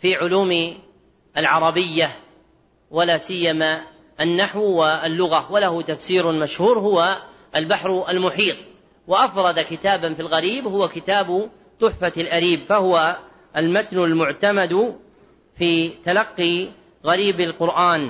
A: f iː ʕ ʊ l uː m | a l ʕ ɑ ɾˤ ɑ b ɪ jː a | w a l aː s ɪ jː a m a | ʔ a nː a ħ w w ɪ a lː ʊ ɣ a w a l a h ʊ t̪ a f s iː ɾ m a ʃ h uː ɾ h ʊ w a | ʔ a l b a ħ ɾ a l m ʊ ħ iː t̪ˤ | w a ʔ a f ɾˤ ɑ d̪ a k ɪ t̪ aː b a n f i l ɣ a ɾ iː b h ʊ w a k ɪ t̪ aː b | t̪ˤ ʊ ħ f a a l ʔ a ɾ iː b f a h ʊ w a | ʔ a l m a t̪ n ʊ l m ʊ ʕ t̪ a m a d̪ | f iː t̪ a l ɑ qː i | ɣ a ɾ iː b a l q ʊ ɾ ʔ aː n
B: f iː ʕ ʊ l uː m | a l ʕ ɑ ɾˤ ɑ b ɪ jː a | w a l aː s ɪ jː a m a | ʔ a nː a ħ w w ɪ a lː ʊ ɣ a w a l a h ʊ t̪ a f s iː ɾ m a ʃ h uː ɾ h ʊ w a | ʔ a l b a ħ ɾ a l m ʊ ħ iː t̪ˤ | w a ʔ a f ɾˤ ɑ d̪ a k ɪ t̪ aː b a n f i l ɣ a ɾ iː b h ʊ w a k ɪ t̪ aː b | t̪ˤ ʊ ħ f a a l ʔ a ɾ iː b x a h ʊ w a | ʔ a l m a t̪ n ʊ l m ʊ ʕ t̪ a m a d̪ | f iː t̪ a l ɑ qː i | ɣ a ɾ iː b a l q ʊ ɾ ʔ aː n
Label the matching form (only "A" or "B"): A